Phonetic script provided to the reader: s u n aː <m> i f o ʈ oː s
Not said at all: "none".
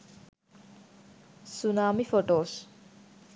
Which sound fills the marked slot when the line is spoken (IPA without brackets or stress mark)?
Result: m